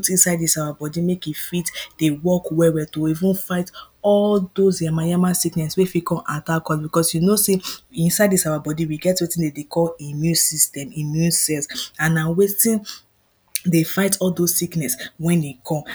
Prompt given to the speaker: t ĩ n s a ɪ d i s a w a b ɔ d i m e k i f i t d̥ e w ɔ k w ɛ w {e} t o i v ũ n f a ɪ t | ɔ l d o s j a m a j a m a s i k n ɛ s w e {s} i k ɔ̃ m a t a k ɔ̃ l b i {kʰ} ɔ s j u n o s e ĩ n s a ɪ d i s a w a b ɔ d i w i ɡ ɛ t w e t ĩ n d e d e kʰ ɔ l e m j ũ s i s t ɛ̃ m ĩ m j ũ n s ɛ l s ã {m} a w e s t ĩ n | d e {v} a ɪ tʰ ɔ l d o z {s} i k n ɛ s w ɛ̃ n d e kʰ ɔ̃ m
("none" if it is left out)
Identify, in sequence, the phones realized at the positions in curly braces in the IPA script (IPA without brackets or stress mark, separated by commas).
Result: ɛ, f, k, n, f, s